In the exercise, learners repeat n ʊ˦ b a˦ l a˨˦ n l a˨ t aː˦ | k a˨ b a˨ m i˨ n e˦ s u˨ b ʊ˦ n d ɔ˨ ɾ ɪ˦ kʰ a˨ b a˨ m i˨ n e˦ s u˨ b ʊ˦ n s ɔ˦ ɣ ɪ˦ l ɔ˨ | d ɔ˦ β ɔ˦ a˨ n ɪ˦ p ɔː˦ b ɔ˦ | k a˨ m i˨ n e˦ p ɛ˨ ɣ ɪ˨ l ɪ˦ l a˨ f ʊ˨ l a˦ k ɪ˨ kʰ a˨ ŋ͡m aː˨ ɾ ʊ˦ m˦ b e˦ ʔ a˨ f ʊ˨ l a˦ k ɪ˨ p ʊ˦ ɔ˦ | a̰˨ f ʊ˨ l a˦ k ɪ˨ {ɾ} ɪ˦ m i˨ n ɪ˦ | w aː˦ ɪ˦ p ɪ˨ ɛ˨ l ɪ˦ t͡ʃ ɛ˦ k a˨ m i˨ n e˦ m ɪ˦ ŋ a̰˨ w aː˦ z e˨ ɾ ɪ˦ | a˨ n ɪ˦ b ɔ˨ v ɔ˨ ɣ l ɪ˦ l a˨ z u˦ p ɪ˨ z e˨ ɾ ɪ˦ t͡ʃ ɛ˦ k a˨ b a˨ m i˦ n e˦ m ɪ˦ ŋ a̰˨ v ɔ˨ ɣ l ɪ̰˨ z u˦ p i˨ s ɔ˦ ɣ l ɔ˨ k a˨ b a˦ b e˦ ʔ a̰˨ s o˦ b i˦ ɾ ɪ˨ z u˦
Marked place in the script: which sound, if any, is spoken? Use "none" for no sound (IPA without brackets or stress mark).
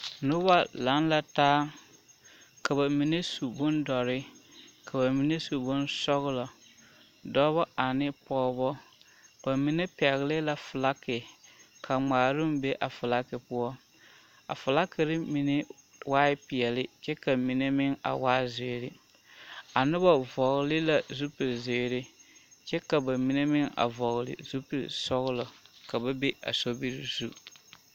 ɾ